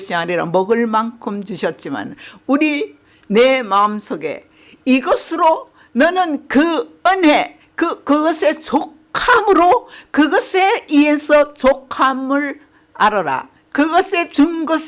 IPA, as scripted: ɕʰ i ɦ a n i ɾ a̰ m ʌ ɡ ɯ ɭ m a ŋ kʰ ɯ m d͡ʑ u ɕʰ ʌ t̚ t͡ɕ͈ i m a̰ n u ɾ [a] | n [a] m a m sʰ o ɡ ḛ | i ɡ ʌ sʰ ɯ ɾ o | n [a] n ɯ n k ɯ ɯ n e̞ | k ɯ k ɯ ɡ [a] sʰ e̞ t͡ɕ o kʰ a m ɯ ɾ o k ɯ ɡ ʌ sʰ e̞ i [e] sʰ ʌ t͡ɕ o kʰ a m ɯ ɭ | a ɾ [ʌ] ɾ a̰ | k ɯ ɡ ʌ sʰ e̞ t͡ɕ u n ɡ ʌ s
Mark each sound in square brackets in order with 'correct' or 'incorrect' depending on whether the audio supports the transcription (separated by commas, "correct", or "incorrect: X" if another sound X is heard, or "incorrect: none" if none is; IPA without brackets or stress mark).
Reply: incorrect: i, incorrect: e, incorrect: ʌ, incorrect: ʌ, correct, correct